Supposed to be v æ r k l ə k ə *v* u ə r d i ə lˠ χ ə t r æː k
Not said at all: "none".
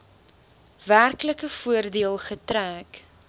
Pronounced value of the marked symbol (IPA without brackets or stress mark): f